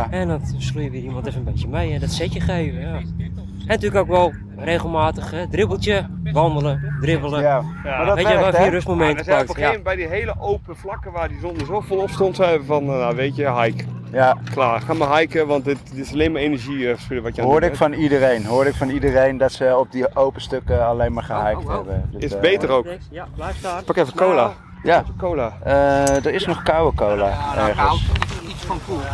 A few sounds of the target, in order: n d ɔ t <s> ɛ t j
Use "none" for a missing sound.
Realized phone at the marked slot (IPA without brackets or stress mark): s